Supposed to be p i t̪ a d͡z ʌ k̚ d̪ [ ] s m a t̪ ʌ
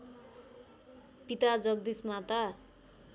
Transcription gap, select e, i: i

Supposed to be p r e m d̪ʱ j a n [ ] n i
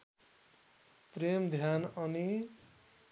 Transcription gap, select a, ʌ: ʌ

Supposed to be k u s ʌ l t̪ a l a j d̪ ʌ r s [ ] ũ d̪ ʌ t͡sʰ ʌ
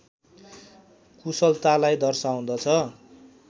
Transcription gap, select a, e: a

